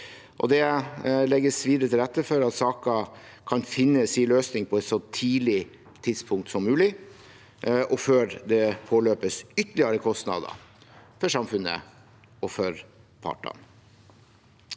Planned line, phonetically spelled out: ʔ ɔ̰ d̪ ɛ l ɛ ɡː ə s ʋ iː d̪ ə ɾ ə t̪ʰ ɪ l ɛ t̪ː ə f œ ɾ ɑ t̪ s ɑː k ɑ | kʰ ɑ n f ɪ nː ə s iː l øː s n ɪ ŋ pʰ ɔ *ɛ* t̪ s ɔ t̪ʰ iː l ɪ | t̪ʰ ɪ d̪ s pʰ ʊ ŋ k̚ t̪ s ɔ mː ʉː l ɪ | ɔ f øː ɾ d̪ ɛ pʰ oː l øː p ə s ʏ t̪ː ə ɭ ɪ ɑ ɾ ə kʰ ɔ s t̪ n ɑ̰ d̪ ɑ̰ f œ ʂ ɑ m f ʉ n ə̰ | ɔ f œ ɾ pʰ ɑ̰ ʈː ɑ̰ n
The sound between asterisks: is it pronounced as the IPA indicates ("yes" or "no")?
yes